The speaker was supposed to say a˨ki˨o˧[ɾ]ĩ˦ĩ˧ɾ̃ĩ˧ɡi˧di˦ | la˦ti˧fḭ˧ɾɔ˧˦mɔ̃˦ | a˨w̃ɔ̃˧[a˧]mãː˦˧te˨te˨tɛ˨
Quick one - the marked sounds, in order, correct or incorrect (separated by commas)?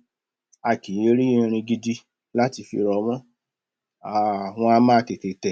correct, correct